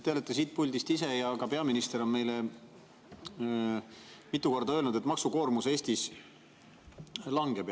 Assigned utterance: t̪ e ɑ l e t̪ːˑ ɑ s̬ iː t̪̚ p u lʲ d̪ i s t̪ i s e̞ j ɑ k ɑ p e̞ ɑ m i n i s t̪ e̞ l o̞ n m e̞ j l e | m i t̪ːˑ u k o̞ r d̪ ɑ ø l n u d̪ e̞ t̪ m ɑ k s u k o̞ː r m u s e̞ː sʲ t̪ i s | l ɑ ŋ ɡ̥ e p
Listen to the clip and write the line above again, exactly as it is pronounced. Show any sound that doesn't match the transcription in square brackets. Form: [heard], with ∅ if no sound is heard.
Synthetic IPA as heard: t̪ e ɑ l e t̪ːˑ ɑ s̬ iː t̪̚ p u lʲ d̪ i s t̪ i s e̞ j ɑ k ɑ p e̞ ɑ m i n i s t̪ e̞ [ɾ] o̞ n m e̞ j l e | m i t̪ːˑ u k o̞ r d̪ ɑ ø l n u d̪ e̞ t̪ m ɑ k s u k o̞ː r m u s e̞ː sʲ t̪ i s | l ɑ ŋ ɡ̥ e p